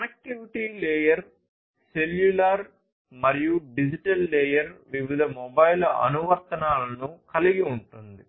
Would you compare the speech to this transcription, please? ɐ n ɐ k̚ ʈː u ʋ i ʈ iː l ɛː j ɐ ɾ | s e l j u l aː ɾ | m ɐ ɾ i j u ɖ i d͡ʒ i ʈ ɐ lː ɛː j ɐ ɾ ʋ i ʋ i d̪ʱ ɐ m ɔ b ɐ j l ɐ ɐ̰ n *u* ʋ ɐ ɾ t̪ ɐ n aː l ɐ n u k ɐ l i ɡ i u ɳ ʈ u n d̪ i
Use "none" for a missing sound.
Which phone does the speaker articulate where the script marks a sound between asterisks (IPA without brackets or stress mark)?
u